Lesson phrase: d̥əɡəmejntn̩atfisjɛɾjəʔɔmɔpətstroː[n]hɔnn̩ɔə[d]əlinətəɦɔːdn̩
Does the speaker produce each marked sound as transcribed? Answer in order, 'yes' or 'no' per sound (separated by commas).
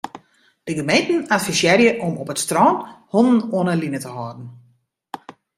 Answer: yes, no